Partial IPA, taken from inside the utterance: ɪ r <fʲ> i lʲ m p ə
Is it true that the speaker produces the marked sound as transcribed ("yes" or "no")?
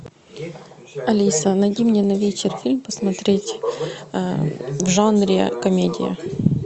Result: yes